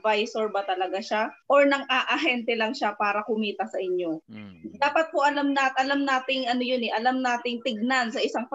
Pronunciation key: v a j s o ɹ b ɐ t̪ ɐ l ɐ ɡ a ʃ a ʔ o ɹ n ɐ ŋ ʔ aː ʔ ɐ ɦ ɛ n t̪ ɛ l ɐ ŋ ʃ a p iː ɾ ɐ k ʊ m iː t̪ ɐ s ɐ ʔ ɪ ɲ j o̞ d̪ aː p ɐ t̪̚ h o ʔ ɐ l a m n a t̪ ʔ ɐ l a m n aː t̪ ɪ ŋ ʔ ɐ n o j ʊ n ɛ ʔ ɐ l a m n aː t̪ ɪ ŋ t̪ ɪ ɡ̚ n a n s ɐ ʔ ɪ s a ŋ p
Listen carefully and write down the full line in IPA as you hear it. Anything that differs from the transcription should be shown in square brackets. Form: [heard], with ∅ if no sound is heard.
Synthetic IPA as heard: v a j s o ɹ b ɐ t̪ ɐ l ɐ ɡ a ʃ a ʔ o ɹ n ɐ ŋ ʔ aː ʔ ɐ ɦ ɛ n t̪ ɛ l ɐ ŋ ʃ a p [aː] ɾ ɐ k ʊ m iː t̪ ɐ s ɐ ʔ ɪ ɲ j o̞ d̪ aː p ɐ t̪̚ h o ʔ ɐ l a m n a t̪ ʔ ɐ l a m n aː t̪ ɪ ŋ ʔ ɐ n o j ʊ n ɛ ʔ ɐ l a m n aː t̪ ɪ ŋ t̪ ɪ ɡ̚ n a n s ɐ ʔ ɪ s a ŋ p